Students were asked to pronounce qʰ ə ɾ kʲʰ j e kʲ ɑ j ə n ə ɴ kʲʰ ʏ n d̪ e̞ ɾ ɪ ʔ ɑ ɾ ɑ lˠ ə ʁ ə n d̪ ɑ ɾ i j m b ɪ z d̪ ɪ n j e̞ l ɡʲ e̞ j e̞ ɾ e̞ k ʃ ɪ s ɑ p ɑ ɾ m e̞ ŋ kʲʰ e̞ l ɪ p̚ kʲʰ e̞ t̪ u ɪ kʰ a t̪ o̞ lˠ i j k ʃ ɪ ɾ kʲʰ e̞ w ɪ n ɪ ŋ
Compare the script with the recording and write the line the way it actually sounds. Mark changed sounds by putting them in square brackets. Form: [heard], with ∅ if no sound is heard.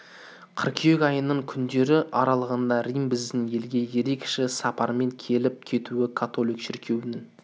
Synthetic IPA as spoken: qʰ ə ɾ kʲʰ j e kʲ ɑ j ə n ə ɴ kʲʰ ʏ n d̪ e̞ ɾ ɪ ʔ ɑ ɾ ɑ lˠ ə ʁ ə n d̪ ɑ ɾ i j m b ɪ z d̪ ɪ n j e̞ l ɡʲ e̞ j e̞ ɾ e̞ k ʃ ɪ s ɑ p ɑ ɾ m e̞ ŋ kʲʰ e̞ l ɪ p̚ kʲʰ e̞ t̪ u ɪ kʰ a t̪ o̞ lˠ i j k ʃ ɪ ɾ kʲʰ e̞ w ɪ n ɪ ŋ

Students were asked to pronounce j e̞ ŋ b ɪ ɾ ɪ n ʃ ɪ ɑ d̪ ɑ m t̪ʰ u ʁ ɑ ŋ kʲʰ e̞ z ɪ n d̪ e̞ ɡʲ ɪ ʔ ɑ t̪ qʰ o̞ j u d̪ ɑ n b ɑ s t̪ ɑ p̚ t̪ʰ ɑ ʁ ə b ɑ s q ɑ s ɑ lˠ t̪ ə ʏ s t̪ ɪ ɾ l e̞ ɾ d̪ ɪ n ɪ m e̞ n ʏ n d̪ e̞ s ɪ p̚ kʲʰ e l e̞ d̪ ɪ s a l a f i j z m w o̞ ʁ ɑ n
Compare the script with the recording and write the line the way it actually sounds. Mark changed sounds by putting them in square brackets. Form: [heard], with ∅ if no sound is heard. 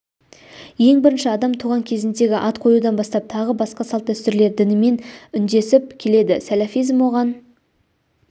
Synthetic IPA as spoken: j e̞ ŋ b ɪ ɾ ɪ n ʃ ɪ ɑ d̪ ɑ m t̪ʰ u ʁ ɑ ŋ kʲʰ e̞ z ɪ n d̪ e̞ ɡʲ ɪ ʔ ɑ t̪ qʰ o̞ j u d̪ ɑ n b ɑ s t̪ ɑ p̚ t̪ʰ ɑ ʁ ə b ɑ s q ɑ s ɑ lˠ t̪ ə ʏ s t̪ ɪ ɾ l e̞ ɾ d̪ ɪ n ɪ m e̞ n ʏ n d̪ e̞ s ɪ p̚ kʲʰ e l e̞ d̪ ɪ s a l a f i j z m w o̞ ʁ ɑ n

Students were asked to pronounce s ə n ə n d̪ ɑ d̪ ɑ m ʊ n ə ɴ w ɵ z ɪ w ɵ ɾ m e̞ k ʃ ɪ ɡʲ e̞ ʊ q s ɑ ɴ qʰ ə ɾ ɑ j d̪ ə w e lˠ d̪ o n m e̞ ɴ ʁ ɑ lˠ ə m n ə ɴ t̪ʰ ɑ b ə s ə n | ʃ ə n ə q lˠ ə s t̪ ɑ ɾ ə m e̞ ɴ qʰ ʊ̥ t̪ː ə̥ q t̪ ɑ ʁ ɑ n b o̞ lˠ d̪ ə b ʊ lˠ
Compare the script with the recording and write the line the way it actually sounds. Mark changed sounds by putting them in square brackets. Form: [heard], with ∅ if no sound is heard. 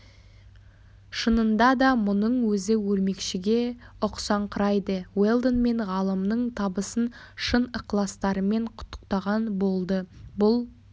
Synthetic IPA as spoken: [ʃ] ə n ə n d̪ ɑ d̪ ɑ m ʊ n ə ɴ w ɵ z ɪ w ɵ ɾ m e̞ k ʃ ɪ ɡʲ e̞ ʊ q s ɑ ɴ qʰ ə ɾ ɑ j d̪ ə w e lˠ d̪ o n m e̞ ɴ ʁ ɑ lˠ ə m n ə ɴ t̪ʰ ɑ b ə s ə n | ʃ ə n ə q lˠ [ɑ] s t̪ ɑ ɾ ə m e̞ ɴ qʰ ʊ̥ t̪ː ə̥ q t̪ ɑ ʁ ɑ n b o̞ lˠ d̪ ə b ʊ lˠ

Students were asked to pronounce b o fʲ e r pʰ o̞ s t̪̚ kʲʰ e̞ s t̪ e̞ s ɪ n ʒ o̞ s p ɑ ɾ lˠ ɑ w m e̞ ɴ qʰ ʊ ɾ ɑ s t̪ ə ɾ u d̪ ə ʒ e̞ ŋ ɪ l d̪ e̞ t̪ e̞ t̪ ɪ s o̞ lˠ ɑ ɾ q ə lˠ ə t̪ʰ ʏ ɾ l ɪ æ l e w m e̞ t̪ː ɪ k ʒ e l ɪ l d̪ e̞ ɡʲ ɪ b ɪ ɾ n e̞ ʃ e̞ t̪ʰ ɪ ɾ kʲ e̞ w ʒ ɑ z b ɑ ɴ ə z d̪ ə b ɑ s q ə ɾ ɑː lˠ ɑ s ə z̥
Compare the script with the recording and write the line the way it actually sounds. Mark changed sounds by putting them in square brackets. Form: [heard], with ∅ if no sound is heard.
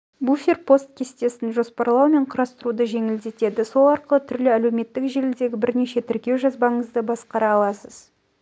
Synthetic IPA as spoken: b [u] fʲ e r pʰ o̞ s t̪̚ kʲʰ e̞ s t̪ e̞ s ɪ n ʒ o̞ s p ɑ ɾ lˠ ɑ w m e̞ ɴ qʰ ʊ ɾ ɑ s t̪ ə ɾ u d̪ ə ʒ e̞ ŋ ɪ l d̪ e̞ t̪ e̞ [d̪] ɪ s o̞ lˠ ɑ ɾ q ə lˠ ə t̪ʰ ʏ ɾ l ɪ æ l e w m e̞ t̪ː ɪ k ʒ e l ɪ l d̪ e̞ ɡʲ ɪ b ɪ ɾ n e̞ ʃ e̞ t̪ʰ ɪ ɾ kʲ e̞ w ʒ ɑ z b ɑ ɴ ə z d̪ ə b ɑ s q [ɑ] ɾ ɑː lˠ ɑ s ə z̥

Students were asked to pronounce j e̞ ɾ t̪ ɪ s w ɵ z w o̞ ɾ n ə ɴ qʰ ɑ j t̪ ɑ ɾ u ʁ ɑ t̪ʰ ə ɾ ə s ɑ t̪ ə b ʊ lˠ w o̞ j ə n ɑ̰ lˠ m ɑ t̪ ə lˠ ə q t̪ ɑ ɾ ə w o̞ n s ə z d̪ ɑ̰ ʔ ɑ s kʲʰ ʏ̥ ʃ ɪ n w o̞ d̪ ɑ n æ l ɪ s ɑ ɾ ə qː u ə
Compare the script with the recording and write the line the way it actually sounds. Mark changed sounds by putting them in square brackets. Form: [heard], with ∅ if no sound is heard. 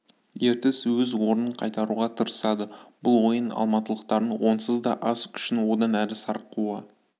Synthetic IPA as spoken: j e̞ ɾ t̪ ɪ s w ɵ z w o̞ ɾ n ə ɴ qʰ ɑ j t̪ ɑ ɾ u ʁ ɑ t̪ʰ ə ɾ ə s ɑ [d̪] ə b ʊ lˠ w o̞ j ə n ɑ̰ lˠ m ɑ t̪ ə lˠ ə q t̪ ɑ ɾ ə w o̞ n s ə z d̪ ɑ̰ ʔ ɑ s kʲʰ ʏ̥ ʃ ɪ n w o̞ d̪ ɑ n æ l ɪ s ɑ ɾ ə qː u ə

